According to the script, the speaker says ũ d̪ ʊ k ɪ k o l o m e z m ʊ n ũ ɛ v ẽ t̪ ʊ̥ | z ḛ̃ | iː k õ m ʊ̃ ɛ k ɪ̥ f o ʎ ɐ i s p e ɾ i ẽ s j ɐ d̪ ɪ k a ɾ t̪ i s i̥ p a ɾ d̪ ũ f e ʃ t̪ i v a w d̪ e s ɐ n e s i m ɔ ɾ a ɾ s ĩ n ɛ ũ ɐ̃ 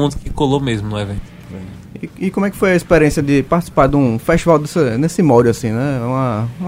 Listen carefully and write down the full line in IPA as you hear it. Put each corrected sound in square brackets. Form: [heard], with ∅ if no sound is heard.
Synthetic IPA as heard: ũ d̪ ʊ k ɪ k o l o m e z m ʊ n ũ ɛ v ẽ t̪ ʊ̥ | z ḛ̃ | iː k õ m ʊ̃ ɛ k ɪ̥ f o [j] ɐ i s p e ɾ i ẽ s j ɐ d̪ ɪ [p] a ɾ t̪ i s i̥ p a ɾ d̪ ũ f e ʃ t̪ i v a w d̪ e s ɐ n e s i m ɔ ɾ a [∅] s ĩ n ɛ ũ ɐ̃